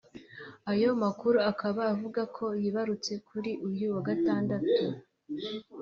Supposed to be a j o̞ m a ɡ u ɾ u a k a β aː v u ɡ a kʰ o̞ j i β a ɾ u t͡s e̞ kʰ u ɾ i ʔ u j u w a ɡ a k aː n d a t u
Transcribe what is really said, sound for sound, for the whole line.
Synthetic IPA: a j o̞ m a k u ɾ u a k a β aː v u ɡ a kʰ o̞ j i β a ɾ u t͡s e̞ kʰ u ɾ i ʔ u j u w a ɡ a t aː n d a t u